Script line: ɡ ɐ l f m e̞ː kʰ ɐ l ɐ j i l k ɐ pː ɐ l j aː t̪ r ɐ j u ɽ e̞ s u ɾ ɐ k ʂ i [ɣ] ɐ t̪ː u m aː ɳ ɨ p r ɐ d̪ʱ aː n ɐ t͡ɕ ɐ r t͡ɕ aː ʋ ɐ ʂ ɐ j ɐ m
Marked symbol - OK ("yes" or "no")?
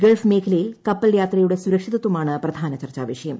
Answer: no